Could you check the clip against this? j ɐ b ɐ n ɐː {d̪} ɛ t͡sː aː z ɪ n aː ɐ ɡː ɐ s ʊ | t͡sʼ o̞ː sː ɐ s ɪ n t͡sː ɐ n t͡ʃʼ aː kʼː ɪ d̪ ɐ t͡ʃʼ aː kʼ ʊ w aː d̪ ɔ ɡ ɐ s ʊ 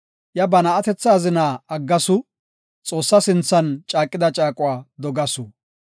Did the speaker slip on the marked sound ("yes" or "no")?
yes